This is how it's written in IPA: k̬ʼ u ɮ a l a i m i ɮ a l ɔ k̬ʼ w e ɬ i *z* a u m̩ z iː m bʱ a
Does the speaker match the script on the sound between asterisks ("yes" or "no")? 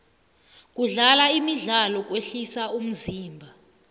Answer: no